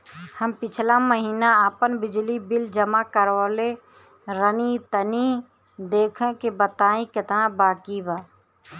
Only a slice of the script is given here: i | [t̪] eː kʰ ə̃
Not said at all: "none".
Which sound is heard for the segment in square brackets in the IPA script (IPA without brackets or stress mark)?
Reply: d̪